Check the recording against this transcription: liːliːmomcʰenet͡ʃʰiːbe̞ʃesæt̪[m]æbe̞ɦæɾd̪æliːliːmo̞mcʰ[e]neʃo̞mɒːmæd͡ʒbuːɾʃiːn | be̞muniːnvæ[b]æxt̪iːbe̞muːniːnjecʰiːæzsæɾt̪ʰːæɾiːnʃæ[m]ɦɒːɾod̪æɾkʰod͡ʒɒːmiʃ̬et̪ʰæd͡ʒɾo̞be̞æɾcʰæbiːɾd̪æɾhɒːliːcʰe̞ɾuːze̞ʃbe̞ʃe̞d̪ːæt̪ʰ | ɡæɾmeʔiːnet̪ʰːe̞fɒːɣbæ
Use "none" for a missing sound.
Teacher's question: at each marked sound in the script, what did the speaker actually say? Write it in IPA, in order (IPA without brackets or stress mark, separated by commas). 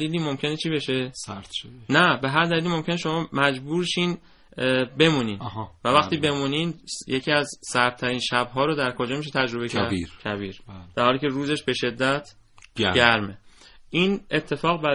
n, e, v, b